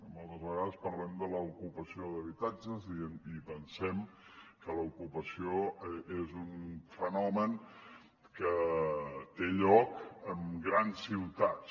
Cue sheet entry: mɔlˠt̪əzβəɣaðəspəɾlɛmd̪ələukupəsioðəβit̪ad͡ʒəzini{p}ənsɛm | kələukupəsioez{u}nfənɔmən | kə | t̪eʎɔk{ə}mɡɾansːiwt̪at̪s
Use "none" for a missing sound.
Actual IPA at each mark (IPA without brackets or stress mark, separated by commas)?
p, u, ə